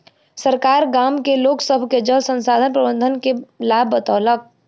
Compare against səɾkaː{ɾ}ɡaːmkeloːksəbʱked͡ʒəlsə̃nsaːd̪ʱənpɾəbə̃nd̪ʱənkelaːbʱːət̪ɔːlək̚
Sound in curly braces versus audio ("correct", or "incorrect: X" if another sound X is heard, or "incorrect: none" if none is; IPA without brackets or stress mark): correct